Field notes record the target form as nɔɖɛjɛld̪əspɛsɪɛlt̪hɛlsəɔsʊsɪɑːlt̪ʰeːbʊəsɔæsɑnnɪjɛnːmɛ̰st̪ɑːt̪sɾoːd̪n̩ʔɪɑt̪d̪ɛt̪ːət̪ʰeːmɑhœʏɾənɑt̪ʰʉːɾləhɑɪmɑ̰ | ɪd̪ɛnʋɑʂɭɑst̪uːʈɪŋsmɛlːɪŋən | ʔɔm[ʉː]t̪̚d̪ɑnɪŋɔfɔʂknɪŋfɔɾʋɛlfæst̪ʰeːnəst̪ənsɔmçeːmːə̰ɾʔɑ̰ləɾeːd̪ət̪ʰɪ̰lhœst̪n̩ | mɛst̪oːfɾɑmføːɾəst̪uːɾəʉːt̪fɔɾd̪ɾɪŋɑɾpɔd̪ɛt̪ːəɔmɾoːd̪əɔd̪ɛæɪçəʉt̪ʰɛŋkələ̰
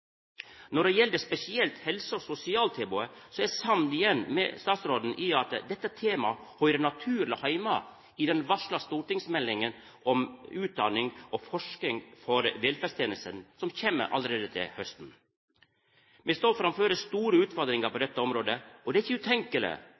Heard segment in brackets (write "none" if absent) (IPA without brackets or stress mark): ʉː